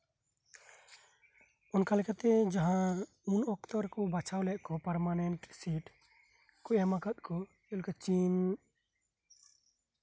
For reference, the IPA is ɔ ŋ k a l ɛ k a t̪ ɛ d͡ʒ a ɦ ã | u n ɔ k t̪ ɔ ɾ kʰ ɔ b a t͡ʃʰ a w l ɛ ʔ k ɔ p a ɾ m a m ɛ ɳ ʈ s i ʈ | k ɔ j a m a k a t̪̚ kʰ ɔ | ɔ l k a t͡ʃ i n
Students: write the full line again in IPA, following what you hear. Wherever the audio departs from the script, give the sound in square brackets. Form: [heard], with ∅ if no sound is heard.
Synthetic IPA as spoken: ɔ [n] k a l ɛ k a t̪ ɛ d͡ʒ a ɦ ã | u n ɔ k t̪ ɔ ɾ [k] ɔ b a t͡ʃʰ a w l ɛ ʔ k ɔ p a ɾ m a [n] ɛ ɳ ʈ s i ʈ | k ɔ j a m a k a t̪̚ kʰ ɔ | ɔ l k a t͡ʃ i n